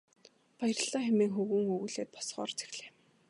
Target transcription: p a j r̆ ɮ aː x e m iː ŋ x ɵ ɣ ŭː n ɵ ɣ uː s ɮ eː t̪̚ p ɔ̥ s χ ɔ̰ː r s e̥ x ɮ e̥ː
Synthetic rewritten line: p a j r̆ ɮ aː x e m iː ŋ x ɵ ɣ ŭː ŋ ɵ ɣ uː ɮ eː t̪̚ p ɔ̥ s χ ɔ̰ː r t͡s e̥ x ɮ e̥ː

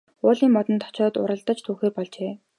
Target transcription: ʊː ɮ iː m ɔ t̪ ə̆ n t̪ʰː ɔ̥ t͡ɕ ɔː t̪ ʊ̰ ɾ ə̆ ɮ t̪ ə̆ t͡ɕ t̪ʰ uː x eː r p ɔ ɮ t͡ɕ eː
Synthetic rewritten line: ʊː ɮ iː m ɔ t̪ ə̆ n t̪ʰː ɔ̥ t͡ɕ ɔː t̪ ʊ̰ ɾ ə̆ ɮ t̪ ə̆ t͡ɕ t̪ʰ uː x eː r p ɔ ɮ t͡ɕ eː

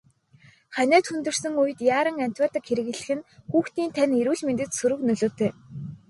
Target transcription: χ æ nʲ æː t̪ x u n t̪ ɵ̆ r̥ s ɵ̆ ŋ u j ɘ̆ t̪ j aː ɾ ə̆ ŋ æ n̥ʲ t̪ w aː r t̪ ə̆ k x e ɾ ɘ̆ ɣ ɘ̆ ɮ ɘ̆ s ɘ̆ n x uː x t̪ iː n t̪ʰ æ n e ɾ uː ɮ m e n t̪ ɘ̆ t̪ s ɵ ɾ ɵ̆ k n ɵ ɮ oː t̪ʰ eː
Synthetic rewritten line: χ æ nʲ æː t̪ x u n t̪ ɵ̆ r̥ s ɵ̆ ŋ u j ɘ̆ t̪ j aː ɾ ə̆ ŋ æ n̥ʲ t̪ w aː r t̪ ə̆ k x e ɾ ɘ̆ ɣ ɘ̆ ɮ ɘ̆ x ɘ̆ n x uː x t̪ iː n t̪ʰ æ n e ɾ uː ɮ m e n t̪ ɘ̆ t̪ s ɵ ɾ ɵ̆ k n ɵ ɮ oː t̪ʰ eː

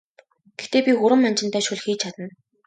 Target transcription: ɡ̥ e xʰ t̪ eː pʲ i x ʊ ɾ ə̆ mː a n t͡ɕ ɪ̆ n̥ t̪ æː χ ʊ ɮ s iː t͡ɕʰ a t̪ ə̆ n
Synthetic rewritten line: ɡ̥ e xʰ t̪ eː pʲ i x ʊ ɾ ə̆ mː a n t͡ɕ ɪ̆ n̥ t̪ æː ʃ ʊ ɮ x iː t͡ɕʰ a t̪ ə̆ n

